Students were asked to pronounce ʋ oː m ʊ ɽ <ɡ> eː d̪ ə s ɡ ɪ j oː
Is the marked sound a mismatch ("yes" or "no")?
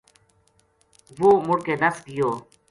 yes